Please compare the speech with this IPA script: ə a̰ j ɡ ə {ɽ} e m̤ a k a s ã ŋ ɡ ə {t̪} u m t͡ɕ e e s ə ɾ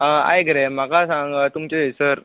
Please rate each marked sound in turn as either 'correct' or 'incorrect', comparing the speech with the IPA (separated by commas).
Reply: incorrect, correct